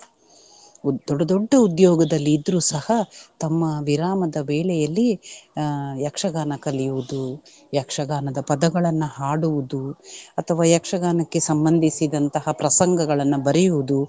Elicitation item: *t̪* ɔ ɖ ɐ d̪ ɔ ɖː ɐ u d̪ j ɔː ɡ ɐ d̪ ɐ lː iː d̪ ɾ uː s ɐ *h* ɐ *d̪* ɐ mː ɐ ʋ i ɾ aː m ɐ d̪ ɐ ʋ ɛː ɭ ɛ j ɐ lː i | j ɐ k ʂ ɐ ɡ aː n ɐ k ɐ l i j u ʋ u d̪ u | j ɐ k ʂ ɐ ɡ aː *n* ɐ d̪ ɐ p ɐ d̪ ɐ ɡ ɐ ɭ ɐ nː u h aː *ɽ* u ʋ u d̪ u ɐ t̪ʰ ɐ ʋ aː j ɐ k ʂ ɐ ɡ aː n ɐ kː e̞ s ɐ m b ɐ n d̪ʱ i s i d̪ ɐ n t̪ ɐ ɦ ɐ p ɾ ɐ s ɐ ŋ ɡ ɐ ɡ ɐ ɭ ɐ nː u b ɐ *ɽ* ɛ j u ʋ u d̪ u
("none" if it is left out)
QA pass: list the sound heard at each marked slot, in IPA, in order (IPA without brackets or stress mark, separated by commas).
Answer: d̪, h, t̪, n, ɽ, ɾ